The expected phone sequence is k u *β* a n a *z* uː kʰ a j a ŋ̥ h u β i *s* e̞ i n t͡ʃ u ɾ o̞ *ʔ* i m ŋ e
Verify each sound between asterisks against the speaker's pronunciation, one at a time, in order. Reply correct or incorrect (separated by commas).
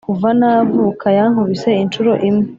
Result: incorrect, incorrect, correct, correct